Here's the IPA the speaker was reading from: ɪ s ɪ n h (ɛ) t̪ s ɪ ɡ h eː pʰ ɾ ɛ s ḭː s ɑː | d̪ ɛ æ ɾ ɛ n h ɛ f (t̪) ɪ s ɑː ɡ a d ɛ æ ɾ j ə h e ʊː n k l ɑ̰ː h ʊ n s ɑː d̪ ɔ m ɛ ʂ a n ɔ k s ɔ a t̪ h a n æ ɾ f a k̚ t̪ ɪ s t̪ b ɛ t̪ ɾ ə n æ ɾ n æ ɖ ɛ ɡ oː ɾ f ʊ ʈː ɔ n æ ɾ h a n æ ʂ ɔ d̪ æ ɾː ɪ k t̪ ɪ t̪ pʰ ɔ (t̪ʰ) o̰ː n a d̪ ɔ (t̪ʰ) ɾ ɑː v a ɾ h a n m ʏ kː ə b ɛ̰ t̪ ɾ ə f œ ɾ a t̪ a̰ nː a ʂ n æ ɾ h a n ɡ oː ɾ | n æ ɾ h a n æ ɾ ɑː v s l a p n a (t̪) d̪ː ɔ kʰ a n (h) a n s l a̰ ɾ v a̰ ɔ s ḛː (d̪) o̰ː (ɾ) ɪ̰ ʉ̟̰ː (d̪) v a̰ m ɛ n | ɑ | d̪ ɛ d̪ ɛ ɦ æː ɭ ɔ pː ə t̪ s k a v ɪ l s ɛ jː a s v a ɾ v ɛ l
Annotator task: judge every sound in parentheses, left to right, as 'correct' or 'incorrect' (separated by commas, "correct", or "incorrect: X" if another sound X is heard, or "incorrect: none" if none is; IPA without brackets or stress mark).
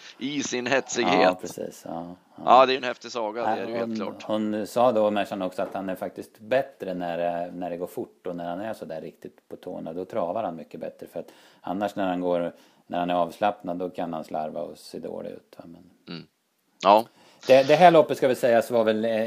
correct, correct, correct, correct, incorrect: d̪, correct, correct, incorrect: l, incorrect: t̪